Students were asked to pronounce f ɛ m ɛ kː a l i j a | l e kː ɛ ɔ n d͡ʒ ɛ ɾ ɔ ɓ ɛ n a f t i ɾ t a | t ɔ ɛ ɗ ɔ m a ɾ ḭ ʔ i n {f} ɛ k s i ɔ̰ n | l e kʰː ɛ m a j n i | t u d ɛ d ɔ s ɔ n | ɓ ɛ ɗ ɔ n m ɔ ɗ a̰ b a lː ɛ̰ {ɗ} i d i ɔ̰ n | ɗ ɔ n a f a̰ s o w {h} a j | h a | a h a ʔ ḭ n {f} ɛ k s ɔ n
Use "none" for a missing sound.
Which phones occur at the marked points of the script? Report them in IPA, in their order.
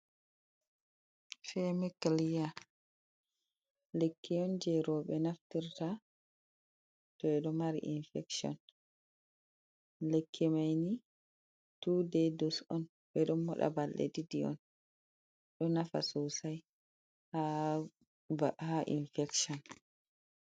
f, d, s, f

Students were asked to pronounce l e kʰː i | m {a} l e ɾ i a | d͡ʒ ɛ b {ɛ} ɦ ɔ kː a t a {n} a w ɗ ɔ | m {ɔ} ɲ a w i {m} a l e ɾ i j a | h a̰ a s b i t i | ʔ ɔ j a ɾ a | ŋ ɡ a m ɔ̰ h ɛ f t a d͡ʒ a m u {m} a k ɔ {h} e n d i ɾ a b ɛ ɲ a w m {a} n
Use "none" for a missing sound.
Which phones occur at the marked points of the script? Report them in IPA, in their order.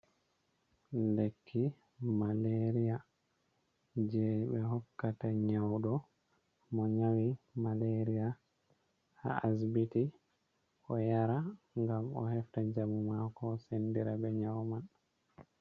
a, ɛ, ɲ, ɔ, m, m, s, a

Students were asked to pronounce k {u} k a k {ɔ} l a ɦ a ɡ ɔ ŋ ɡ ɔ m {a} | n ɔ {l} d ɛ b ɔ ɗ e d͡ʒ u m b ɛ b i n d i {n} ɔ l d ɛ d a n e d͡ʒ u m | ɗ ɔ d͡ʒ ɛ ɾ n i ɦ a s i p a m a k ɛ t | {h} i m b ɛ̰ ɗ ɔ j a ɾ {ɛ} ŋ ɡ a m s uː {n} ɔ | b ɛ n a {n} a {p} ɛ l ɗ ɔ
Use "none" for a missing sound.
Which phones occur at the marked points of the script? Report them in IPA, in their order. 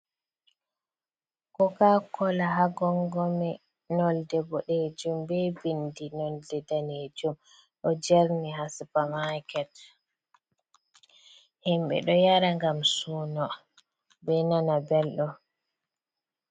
ɔ, ɔ, ɛ, l, n, h, a, n, n, b

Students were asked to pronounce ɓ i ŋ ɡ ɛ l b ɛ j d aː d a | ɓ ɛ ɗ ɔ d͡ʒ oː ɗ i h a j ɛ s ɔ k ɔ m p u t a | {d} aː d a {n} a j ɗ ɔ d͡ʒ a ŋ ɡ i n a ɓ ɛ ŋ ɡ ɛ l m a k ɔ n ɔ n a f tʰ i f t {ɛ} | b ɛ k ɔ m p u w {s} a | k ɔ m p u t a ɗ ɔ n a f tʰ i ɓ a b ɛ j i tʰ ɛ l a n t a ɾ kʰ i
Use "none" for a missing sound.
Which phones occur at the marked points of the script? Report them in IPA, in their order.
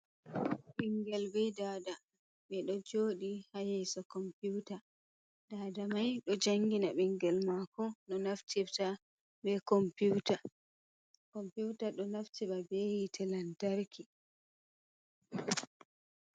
d, m, a, t

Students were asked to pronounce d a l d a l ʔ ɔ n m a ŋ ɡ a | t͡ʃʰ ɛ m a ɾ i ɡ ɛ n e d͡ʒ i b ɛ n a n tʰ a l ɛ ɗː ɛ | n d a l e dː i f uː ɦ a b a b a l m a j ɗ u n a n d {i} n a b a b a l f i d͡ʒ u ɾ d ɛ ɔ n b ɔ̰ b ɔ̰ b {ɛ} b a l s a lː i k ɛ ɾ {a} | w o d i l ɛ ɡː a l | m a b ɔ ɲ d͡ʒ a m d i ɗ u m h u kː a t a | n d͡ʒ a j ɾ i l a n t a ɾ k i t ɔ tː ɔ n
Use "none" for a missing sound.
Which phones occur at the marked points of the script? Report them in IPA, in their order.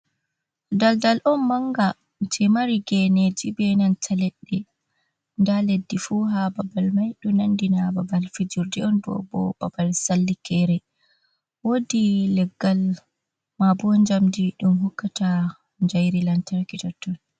i, a, ɛ

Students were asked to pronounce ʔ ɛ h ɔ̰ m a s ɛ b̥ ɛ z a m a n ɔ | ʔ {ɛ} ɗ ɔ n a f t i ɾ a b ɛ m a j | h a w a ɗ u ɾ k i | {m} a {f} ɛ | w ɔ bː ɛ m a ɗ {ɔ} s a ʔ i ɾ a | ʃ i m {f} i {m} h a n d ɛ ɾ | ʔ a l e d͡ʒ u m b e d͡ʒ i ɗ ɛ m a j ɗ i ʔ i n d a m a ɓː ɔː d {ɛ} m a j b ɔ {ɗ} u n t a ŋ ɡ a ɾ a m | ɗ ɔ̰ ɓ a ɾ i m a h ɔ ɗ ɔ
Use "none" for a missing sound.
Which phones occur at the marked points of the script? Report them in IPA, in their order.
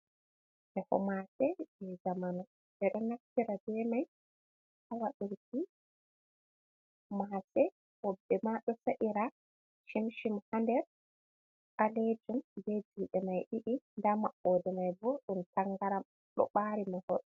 ɛ, m, s, ɔ, ʃ, m, ɛ, ɗ

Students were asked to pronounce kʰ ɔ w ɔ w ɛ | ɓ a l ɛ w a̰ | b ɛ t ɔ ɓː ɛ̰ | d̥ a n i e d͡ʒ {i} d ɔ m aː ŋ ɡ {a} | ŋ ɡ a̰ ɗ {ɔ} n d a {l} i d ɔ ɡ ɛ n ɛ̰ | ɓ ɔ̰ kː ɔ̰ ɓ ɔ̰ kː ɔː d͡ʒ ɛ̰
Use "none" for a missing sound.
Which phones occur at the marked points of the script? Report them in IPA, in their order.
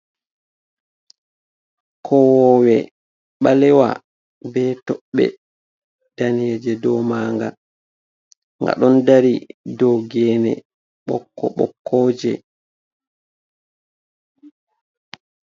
ɛ, a, ɔ, ɾ

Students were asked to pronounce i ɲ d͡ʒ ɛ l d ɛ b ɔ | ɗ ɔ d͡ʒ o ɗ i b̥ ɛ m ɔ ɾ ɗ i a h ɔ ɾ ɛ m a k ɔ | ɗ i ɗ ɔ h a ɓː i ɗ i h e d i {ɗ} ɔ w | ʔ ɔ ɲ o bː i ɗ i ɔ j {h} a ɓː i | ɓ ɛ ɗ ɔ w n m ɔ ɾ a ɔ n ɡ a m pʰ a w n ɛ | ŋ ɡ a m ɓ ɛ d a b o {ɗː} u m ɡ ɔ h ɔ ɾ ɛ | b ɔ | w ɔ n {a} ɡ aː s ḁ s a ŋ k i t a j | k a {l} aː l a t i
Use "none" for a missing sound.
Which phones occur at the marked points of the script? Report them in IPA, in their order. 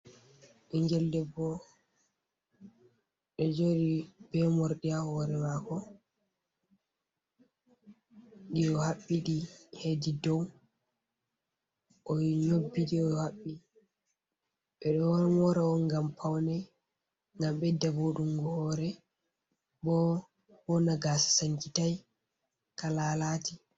d, h, ɗ, a, l

